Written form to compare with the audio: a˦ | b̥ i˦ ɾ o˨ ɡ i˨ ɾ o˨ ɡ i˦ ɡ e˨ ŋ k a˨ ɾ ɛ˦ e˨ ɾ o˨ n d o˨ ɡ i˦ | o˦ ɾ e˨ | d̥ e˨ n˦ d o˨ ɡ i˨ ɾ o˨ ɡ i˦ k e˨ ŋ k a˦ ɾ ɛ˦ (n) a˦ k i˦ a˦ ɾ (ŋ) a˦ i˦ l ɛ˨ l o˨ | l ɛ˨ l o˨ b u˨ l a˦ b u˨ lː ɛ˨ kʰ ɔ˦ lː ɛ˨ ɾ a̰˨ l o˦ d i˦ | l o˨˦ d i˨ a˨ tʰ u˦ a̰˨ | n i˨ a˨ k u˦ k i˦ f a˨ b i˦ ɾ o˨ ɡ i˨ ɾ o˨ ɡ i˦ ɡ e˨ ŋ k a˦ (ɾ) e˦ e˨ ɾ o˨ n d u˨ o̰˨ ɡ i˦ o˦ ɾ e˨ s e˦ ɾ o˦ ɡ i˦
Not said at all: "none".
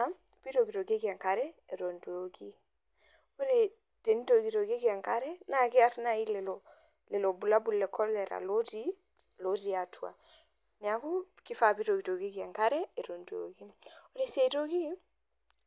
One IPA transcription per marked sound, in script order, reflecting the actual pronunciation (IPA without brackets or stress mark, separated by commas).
n, n, ɾ